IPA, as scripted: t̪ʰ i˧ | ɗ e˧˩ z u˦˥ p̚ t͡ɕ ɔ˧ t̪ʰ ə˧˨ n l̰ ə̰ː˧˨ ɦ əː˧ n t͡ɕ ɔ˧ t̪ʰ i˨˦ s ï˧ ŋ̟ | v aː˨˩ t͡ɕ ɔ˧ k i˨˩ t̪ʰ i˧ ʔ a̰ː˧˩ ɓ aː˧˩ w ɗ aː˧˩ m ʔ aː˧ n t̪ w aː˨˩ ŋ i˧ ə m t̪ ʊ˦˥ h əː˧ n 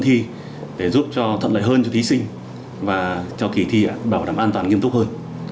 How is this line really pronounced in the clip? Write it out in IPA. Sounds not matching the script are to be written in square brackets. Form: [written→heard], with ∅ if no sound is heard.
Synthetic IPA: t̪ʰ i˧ | ɗ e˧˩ z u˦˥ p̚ t͡ɕ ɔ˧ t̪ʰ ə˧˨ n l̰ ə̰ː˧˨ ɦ əː˧ n t͡ɕ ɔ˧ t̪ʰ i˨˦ s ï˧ ŋ̟ | v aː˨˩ t͡ɕ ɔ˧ k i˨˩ t̪ʰ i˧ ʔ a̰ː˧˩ ɓ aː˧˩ w ɗ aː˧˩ m ʔ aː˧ n t̪ w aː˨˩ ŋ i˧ ə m t̪ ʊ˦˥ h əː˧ n